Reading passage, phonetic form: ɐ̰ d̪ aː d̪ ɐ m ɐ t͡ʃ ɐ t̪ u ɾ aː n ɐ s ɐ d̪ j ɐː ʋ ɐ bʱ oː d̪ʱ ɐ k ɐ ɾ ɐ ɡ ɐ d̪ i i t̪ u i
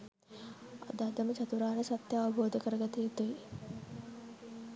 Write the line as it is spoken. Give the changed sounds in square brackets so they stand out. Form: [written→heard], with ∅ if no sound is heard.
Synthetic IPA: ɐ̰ d̪ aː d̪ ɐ m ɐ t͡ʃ ɐ t̪ u ɾ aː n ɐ s ɐ [d̪→t̪] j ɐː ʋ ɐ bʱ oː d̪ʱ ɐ k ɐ ɾ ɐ ɡ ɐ [d̪→t̪] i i t̪ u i